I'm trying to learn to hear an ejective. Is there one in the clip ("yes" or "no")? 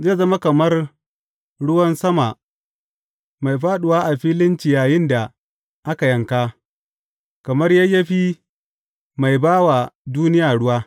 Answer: no